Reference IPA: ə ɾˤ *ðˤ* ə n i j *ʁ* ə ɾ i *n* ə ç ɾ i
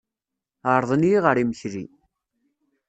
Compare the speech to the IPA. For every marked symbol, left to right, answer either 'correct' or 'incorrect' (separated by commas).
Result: correct, correct, incorrect